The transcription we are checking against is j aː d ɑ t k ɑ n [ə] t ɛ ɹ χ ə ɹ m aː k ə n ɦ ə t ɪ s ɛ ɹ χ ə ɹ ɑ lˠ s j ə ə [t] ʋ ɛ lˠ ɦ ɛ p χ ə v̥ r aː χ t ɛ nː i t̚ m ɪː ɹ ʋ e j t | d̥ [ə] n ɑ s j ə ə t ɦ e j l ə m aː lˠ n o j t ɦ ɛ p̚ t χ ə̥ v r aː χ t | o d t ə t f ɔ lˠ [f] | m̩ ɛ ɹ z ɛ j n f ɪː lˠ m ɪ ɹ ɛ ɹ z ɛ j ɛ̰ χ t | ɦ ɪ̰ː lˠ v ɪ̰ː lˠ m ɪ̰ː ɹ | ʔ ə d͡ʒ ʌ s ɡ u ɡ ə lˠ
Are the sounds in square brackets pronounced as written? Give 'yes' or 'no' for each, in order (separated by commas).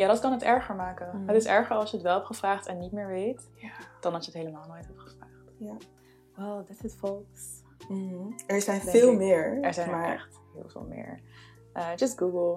yes, yes, no, no